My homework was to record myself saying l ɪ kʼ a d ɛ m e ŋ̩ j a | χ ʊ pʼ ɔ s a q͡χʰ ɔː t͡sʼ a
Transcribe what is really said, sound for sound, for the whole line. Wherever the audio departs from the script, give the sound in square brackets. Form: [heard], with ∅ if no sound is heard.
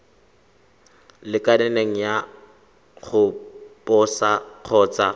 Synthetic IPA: l ɪ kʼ a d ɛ [n] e ŋ̩ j a | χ ʊ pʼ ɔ s a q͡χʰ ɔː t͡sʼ a